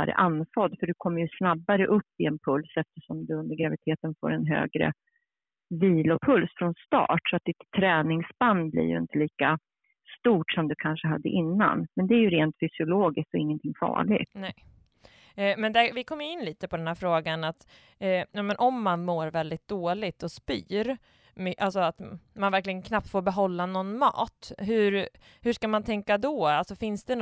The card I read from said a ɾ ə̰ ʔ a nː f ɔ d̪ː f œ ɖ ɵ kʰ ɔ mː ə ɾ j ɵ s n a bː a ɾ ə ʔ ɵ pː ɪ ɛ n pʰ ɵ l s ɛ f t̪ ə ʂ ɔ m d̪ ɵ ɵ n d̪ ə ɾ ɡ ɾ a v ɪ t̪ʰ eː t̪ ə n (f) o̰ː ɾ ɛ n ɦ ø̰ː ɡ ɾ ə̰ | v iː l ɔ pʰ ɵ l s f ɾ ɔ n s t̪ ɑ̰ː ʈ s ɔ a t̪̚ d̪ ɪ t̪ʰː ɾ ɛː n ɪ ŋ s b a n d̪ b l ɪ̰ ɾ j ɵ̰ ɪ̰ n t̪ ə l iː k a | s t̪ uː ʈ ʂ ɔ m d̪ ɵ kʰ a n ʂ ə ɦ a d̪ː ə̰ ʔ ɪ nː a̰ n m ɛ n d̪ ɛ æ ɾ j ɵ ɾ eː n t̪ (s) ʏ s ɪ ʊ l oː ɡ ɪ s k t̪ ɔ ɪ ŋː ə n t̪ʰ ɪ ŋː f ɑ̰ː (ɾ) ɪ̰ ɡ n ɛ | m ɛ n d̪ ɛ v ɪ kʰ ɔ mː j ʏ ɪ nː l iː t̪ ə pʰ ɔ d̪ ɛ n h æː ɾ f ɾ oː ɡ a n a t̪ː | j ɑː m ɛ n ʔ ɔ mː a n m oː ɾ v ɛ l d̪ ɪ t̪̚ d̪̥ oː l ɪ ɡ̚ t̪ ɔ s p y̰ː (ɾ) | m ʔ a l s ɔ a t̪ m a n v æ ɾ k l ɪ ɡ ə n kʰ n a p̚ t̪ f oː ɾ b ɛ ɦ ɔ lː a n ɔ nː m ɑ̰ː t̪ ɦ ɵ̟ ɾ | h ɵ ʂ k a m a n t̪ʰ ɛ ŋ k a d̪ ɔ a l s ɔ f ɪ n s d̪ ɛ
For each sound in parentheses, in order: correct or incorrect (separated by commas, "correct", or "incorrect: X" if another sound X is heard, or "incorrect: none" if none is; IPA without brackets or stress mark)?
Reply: correct, incorrect: f, incorrect: ɭ, correct